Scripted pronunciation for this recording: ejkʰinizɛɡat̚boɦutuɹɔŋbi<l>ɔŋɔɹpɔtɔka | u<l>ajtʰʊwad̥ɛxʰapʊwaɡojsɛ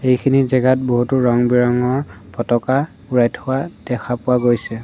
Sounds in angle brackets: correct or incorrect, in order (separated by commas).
incorrect, incorrect